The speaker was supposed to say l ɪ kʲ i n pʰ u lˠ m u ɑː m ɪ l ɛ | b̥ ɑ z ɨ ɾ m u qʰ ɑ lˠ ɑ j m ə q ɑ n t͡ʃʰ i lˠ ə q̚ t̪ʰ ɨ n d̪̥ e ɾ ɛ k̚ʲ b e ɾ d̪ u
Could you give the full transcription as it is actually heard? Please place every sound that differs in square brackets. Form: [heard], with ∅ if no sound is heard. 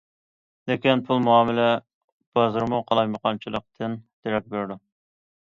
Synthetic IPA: l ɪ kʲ i n pʰ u lˠ m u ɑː m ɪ l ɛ | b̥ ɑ z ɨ ɾ m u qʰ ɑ lˠ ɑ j m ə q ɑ n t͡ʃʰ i lˠ ə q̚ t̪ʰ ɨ n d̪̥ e ɾ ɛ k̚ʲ b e ɾ d̪ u